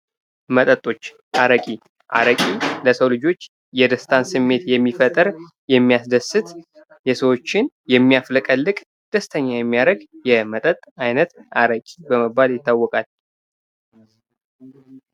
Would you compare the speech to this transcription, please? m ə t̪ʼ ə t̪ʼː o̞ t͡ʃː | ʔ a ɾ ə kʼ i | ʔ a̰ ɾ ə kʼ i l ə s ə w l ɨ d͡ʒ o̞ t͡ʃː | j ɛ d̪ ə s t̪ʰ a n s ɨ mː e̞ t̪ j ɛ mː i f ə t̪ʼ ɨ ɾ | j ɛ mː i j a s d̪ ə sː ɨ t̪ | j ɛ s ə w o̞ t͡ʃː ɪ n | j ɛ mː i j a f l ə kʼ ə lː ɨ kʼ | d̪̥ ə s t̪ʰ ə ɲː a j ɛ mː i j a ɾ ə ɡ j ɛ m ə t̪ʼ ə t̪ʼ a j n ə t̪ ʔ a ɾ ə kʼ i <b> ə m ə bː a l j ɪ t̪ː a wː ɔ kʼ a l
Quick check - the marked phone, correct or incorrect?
correct